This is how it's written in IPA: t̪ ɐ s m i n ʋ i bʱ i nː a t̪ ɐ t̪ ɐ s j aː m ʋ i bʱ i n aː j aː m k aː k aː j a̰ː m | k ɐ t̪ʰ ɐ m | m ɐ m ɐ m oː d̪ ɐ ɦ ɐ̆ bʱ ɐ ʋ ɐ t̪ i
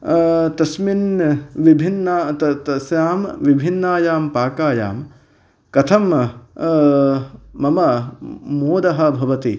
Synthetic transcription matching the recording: t̪ ɐ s m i n ʋ i bʱ i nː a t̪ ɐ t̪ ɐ s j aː m ʋ i bʱ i nː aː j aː m p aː k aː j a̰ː m | k ɐ t̪ʰ ɐ m | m ɐ m ɐ m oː d̪ ɐ ɦ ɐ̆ bʱ ɐ ʋ ɐ t̪ i